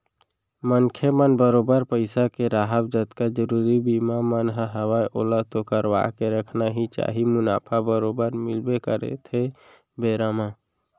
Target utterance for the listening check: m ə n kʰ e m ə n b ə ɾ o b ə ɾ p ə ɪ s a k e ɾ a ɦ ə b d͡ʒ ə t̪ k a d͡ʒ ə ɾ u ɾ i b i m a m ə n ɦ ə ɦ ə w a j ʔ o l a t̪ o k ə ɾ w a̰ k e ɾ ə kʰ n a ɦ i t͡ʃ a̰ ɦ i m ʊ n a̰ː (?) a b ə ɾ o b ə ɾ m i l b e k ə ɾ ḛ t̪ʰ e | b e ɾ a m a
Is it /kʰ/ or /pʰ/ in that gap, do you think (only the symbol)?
pʰ